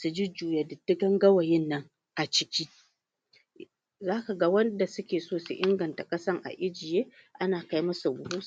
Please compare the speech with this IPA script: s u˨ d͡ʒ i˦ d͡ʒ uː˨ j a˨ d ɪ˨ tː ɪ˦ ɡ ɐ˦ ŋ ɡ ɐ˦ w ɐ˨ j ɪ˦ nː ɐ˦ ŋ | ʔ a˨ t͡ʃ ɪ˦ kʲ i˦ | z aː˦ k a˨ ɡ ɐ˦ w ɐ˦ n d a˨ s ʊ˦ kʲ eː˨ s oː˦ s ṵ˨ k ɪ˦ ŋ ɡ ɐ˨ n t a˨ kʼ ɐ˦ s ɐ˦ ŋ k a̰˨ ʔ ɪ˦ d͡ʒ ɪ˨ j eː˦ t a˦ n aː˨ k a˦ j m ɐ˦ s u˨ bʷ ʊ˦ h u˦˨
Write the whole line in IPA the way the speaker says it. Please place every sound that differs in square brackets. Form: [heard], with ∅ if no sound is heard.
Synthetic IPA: s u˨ d͡ʒ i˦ d͡ʒ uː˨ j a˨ d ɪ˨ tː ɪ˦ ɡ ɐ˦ ŋ ɡ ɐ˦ w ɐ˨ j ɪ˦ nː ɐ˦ ŋ | ʔ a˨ t͡ʃ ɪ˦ kʲ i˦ | z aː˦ k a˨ ɡ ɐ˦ w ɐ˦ n d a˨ s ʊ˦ kʲ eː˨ s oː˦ s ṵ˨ [ʔ] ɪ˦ ŋ ɡ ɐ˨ n t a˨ kʼ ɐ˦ s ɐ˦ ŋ [ʔ] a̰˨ ʔ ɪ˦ d͡ʒ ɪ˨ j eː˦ [ʔ] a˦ n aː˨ k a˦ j m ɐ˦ s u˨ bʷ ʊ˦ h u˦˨